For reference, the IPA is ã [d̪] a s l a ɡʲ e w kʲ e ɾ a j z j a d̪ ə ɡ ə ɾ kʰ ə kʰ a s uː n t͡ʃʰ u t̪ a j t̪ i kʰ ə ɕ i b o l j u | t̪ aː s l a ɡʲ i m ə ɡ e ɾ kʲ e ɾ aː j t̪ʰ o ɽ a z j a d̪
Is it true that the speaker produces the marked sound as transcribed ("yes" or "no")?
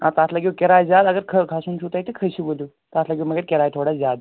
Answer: no